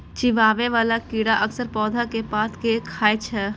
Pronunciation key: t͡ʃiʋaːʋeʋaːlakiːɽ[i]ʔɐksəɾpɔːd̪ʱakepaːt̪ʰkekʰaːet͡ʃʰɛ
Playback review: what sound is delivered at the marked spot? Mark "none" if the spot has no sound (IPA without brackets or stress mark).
a